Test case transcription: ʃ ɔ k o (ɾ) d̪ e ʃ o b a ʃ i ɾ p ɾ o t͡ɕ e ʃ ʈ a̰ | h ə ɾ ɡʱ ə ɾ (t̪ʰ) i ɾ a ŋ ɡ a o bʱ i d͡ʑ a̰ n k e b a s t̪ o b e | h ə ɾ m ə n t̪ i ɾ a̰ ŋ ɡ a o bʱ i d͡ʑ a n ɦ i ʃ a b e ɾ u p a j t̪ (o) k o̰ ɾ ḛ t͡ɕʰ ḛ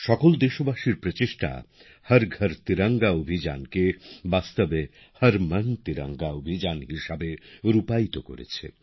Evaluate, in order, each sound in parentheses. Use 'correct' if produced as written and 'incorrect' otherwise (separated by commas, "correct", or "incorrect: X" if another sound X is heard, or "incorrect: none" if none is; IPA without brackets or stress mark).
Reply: incorrect: l, incorrect: t̪, correct